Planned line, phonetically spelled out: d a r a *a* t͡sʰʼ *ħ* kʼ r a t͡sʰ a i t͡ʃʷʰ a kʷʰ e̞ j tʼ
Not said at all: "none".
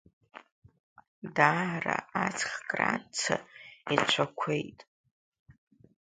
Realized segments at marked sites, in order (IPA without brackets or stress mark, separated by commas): a, χ